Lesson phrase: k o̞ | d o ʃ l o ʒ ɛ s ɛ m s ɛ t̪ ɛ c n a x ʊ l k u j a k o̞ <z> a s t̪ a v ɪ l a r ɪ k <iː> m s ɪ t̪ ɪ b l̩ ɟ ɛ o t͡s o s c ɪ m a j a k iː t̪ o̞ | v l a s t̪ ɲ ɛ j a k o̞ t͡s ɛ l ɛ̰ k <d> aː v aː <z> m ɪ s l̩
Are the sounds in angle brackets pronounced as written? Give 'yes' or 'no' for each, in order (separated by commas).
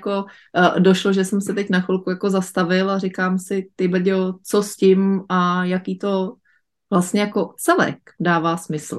yes, no, yes, no